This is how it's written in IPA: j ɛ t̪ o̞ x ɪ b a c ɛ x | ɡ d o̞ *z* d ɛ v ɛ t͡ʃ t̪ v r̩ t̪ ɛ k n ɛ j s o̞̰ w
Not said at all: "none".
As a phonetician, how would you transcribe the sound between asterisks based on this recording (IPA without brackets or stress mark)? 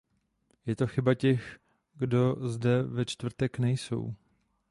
z